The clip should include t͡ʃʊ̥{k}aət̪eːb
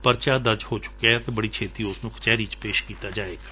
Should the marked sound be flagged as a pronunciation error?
no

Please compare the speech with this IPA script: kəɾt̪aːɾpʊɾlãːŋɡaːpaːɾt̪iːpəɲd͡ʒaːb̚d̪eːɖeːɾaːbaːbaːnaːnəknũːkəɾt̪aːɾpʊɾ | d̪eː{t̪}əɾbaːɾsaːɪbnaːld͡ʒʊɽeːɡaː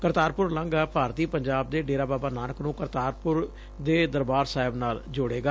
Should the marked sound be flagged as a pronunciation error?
yes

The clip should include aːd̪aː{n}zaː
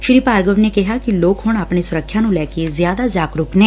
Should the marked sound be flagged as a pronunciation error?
yes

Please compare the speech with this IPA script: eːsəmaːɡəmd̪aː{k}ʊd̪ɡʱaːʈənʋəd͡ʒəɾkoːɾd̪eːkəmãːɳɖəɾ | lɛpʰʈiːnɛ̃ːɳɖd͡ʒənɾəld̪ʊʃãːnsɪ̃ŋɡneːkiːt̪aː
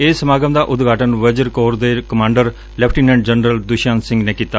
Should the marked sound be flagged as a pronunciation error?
yes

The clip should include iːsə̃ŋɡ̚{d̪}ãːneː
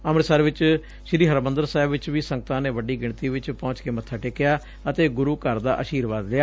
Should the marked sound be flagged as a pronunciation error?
yes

